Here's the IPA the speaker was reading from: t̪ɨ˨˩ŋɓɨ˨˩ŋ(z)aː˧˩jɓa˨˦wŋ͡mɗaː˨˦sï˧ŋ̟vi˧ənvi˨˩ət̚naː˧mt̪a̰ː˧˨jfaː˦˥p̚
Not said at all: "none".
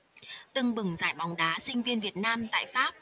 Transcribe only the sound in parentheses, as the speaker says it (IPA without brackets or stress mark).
z